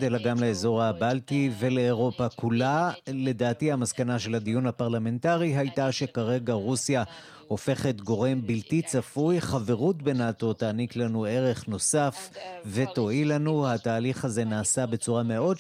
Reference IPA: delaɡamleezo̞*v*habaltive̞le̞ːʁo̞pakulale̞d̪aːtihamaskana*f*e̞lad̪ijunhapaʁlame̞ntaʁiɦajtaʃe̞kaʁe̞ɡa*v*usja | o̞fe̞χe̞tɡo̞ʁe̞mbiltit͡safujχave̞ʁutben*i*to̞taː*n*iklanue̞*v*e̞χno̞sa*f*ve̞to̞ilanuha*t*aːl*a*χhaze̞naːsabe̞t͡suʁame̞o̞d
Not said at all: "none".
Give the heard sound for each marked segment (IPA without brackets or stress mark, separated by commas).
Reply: ʁ, ʃ, ʁ, a, n, ʁ, f, t, i